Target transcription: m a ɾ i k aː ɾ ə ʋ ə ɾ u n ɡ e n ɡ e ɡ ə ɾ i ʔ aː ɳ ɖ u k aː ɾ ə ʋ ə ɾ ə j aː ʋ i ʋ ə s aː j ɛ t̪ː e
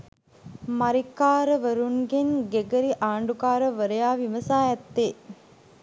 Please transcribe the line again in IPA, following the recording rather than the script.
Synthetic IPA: m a ɾ i k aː ɾ ə ʋ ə ɾ u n ɡ e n ɡ e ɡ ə ɾ i ʔ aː ɳ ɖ u k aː ɾ ə ʋ ə ɾ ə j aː ʋ i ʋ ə s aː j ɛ t̪ː e